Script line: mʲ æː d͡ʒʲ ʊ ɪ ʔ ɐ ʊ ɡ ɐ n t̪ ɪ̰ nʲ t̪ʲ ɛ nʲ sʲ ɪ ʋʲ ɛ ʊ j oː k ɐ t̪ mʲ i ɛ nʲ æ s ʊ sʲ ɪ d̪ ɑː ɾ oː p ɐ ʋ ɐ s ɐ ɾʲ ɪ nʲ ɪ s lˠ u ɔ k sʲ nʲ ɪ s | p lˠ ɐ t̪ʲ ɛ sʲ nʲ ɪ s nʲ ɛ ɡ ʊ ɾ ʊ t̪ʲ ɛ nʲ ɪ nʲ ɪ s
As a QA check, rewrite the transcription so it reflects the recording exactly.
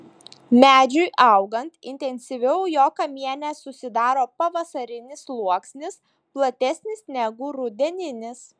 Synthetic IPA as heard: mʲ æː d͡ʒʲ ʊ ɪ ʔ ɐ ʊ ɡ ɐ n t̪ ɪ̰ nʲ t̪ʲ ɛ nʲ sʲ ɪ ʋʲ ɛ ʊ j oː k ɐ mʲ i ɛ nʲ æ s ʊ sʲ ɪ d̪ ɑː ɾ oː p ɐ ʋ ɐ s ɐ ɾʲ ɪ nʲ ɪ s lˠ u ɔ k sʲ nʲ ɪ s | p lˠ ɐ t̪ʲ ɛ sʲ nʲ ɪ s nʲ ɛ ɡ ʊ ɾ ʊ d̪ʲ ɛ nʲ ɪ nʲ ɪ s